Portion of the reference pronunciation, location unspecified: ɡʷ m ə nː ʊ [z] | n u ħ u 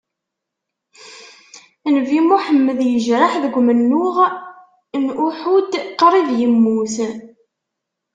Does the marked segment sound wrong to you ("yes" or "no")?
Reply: yes